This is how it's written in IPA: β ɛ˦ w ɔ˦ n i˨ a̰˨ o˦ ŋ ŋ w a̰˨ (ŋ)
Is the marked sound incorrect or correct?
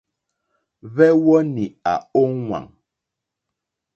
correct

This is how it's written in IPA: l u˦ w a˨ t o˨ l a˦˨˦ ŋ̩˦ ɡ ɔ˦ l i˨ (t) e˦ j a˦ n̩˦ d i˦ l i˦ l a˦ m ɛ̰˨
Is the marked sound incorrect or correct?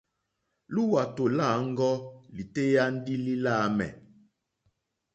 correct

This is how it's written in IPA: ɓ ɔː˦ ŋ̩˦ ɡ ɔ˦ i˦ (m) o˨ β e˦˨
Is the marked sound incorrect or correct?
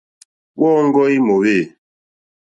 correct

